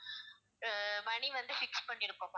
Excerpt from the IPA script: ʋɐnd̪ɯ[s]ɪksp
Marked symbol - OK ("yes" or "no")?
no